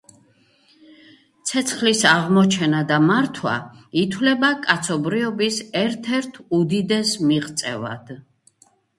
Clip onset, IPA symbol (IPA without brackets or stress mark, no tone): t̪